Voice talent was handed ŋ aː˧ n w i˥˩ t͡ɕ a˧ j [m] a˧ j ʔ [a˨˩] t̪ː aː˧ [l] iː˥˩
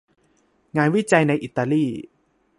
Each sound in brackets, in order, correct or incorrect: incorrect, incorrect, correct

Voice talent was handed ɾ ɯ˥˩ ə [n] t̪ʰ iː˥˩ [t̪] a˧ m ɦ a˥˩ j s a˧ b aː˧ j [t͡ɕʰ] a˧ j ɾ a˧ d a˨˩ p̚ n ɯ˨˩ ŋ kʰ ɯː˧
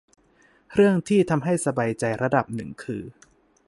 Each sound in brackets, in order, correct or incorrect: incorrect, incorrect, incorrect

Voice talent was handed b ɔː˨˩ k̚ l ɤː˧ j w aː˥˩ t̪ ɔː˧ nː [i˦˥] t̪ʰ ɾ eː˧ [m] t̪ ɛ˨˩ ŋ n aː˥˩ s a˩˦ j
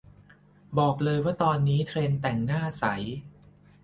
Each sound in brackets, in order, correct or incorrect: incorrect, incorrect

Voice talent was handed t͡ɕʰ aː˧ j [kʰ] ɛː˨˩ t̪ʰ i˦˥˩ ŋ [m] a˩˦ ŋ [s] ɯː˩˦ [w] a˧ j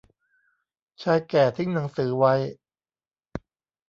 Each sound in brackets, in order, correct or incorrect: incorrect, incorrect, correct, correct

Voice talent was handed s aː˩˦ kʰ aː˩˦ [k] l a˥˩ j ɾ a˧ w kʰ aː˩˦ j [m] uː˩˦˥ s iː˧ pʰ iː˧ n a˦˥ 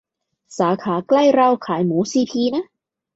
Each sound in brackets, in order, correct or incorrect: correct, correct

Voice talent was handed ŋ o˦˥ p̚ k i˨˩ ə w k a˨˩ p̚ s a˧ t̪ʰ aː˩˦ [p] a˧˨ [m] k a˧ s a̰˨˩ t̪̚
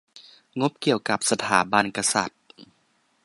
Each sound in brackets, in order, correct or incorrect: incorrect, incorrect

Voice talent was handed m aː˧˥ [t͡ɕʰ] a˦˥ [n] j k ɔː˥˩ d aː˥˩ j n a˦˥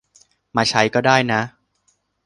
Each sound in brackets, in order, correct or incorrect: correct, incorrect

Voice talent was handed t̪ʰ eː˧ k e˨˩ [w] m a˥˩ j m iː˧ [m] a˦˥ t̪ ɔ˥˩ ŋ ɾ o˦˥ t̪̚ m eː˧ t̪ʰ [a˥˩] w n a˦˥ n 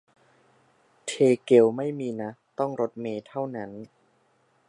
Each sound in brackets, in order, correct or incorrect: correct, incorrect, correct

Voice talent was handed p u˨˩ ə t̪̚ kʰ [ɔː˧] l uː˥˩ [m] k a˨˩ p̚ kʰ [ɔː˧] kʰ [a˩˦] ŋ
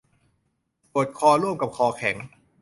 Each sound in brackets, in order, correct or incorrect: correct, correct, correct, incorrect

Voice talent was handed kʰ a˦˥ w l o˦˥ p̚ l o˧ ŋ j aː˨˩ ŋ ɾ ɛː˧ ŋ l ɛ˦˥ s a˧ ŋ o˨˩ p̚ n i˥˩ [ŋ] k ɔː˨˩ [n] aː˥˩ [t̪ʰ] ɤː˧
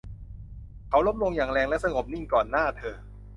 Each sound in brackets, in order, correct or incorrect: correct, incorrect, correct

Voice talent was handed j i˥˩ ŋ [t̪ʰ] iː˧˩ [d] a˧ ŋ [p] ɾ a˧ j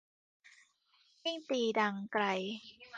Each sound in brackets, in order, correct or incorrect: incorrect, correct, incorrect

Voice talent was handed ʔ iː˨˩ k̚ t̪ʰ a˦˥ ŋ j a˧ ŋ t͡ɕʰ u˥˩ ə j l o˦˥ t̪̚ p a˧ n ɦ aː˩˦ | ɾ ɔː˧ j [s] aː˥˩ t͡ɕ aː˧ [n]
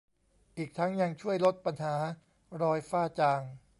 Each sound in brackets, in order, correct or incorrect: incorrect, incorrect

